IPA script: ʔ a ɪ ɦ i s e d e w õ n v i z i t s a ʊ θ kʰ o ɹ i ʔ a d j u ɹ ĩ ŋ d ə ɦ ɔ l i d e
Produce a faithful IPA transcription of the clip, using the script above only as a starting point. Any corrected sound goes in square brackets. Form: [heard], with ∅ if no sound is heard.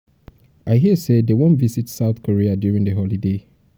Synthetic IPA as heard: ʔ a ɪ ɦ i s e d e w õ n v i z i t s a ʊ θ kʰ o ɹ i [∅] a d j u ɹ ĩ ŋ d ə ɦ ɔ l i d e